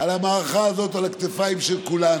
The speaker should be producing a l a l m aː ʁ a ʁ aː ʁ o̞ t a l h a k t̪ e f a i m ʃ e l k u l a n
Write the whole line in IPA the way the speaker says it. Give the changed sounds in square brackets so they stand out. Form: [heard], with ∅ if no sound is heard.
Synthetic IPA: a l a [∅] m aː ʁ a [χ] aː [z] o̞ t a l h a k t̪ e f a i m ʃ e l k u l a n

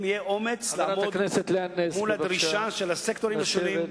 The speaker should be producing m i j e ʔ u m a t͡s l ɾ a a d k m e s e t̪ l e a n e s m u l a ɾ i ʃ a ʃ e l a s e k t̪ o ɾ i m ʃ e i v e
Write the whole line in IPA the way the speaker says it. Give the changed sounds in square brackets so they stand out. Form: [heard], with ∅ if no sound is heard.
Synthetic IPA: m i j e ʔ [o] m [e] t͡s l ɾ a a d k [n] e s e t̪ l e a n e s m u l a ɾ i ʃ a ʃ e l a s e k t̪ o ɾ i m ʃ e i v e

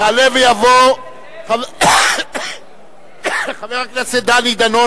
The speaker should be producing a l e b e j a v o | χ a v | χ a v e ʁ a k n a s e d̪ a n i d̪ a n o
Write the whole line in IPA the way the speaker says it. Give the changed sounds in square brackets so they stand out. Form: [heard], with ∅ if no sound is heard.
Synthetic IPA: a l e [v] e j a v o | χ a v | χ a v e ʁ a k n a s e d̪ a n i d̪ a n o

